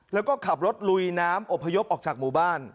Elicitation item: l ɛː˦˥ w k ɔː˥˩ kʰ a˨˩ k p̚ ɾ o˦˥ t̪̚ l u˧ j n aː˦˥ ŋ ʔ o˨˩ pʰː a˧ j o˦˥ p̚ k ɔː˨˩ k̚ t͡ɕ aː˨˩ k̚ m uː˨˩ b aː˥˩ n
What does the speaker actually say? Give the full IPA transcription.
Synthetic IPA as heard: l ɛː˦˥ w k ɔː˥˩ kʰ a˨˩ p̚ ɾ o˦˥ t̪̚ l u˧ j n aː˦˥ m ʔ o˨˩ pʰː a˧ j o˦˥ p̚ ʔ ɔː˨˩ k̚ t͡ɕ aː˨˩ k̚ m uː˨˩ b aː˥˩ n

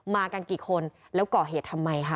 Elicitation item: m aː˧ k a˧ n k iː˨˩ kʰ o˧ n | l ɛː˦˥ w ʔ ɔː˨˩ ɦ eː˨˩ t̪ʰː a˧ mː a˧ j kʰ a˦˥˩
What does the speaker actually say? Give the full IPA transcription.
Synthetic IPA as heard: m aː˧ k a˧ n k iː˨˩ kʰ o˧ n | l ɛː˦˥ w k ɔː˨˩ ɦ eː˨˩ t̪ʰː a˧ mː a˧ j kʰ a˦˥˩

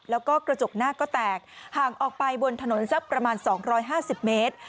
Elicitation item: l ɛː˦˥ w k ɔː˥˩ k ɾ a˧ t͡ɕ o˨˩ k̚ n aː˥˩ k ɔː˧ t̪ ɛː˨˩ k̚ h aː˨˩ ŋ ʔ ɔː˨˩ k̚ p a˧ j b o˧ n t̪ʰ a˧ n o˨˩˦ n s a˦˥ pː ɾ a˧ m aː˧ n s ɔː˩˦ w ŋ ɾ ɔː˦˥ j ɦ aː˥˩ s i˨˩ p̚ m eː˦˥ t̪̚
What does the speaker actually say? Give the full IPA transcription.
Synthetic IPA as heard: l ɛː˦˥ w k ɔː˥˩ k ɾ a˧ t͡ɕ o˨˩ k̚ n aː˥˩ k ɔː˥˩ t̪ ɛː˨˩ k̚ h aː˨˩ ŋ ʔ ɔː˨˩ k̚ p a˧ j b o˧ n t̪ʰ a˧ n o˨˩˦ n s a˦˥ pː ɾ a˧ m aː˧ n s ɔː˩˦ ŋ ɾ ɔː˦˥ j ɦ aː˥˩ s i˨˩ p̚ m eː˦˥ t̪̚

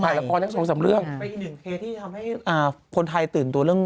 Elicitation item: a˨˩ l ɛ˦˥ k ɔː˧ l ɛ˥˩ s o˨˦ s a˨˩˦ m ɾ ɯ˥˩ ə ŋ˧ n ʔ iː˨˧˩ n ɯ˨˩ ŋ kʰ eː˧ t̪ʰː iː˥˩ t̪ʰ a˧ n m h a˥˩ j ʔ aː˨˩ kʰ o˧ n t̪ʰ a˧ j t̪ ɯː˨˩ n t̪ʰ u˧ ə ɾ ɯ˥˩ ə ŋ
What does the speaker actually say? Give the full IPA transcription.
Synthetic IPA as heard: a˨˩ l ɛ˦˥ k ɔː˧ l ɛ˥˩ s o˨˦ s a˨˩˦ m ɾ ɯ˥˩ ə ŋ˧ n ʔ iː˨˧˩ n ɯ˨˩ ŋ kʰ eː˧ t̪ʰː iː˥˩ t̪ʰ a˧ m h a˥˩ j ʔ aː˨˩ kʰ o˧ n t̪ʰ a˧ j t̪ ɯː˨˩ n t̪ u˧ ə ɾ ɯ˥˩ ə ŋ

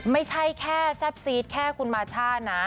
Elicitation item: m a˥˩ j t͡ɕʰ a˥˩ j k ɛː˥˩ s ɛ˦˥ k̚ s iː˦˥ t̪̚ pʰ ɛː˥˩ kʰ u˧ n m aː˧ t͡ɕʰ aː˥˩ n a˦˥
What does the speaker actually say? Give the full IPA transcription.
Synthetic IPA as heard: m a˥˩ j t͡ɕʰ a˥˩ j kʰ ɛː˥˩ s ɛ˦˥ p̚ s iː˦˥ t̪̚ kʰ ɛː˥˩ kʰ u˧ n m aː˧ t͡ɕʰ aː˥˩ n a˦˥

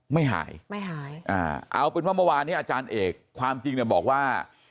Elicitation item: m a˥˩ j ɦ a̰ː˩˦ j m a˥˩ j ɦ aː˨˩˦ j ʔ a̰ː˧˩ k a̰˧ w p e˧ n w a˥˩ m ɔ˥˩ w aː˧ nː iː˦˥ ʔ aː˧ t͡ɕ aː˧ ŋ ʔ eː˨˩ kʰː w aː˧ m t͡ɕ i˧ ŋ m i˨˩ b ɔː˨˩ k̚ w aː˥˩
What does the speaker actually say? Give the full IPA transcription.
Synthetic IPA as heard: m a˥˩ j ɦ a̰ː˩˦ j m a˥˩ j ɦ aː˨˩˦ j ʔ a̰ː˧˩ ʔ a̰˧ w p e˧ n w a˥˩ m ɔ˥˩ w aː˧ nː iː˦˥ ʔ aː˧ t͡ɕ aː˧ n ʔ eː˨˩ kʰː w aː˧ m t͡ɕ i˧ ŋ n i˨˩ b ɔː˨˩ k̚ w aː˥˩

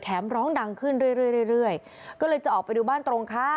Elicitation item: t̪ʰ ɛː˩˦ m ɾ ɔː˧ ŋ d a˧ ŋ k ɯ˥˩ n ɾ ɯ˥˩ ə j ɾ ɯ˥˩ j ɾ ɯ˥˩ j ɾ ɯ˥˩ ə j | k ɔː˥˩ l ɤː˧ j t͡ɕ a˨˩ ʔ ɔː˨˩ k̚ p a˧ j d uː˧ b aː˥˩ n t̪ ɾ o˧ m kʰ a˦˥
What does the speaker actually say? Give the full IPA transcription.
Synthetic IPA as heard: t̪ʰ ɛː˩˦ m ɾ ɔː˦˥ ŋ d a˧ ŋ kʰ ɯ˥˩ n ɾ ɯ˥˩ ə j ɾ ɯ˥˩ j ɾ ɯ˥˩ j ɾ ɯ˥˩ ə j | k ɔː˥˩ l ɤː˧ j t͡ɕ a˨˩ ʔ ɔː˨˩ k̚ p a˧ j d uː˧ b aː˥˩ n t̪ ɾ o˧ ŋ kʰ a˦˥

